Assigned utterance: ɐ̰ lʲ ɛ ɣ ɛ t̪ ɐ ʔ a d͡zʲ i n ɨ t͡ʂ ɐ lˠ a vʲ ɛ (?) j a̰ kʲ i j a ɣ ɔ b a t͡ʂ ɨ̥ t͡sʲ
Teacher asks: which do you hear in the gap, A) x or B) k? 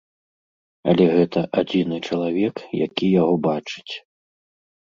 B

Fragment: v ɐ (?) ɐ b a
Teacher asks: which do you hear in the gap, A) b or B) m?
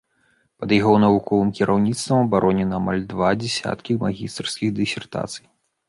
B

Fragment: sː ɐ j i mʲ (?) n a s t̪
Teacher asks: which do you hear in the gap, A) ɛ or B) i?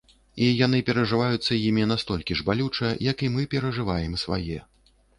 B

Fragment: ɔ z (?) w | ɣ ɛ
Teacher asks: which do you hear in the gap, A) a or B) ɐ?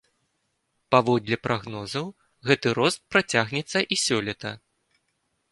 B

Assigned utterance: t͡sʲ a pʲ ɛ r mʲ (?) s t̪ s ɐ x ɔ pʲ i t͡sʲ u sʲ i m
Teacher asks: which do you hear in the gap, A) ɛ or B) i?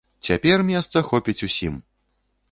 A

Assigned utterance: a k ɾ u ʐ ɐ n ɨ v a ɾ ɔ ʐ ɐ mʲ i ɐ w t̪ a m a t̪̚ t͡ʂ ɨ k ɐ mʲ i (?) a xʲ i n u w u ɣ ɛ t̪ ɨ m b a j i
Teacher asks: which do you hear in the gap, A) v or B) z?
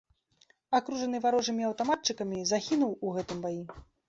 B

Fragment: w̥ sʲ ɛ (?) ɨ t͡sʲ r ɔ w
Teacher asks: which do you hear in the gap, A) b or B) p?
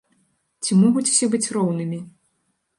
A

